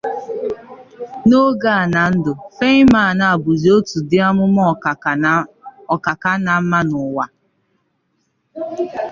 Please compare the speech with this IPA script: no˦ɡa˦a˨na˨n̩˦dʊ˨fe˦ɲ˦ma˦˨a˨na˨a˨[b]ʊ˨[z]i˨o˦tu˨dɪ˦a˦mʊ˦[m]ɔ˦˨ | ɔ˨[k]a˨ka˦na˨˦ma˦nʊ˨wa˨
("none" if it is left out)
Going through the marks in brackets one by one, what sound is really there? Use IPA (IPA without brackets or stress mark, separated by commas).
b, z, m, k